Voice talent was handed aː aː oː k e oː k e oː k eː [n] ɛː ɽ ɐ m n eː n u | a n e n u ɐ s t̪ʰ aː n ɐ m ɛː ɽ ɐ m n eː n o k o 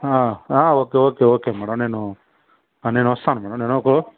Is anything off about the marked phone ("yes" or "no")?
yes